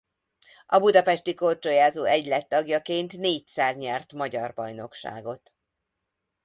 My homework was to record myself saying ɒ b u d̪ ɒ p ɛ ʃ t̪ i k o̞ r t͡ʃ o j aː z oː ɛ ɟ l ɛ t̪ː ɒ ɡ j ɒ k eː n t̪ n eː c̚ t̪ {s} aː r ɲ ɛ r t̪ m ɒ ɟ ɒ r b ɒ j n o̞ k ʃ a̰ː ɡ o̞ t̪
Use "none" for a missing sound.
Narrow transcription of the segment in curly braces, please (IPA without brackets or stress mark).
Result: s